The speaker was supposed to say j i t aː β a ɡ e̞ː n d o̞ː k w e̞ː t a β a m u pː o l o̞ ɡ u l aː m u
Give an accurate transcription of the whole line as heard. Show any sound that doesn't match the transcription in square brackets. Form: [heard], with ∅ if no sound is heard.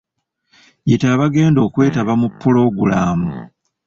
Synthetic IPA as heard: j i t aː β a ɡ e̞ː n d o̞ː k w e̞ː t a β a m u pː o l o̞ ɡ u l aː m u